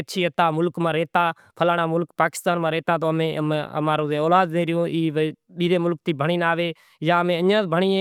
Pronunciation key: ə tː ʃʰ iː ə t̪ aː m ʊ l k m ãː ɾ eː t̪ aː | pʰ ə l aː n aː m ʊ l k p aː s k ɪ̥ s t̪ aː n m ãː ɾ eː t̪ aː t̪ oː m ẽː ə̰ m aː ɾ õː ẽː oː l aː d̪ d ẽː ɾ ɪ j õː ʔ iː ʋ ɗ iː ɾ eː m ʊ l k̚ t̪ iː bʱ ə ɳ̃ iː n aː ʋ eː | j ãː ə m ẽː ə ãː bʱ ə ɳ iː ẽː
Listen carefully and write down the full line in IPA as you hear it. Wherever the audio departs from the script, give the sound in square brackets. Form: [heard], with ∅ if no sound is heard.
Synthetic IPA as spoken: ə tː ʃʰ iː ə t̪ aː m ʊ l k m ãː ɾ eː t̪ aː | pʰ ə l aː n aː m ʊ l k p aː [∅] k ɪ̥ s t̪ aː n m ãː ɾ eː t̪ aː t̪ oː m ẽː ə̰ m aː ɾ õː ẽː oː l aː d̪ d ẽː ɾ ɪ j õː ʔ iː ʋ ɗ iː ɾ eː m ʊ l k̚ t̪ iː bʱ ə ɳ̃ iː n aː ʋ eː | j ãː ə m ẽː ə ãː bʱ ə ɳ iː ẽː